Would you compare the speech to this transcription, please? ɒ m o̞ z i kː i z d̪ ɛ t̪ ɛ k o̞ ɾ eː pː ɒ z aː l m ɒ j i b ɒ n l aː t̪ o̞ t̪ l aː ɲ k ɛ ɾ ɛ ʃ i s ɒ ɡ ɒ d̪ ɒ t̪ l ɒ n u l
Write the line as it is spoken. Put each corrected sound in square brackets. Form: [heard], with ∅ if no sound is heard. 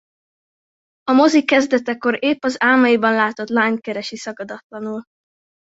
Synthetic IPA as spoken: ɒ m o̞ z i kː [ɛ] z d̪ ɛ t̪ ɛ k o̞ ɾ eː pː ɒ z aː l m ɒ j i b ɒ n l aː t̪ o̞ t̪ l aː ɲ k ɛ ɾ ɛ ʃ i s ɒ ɡ ɒ d̪ ɒ t̪ l ɒ n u l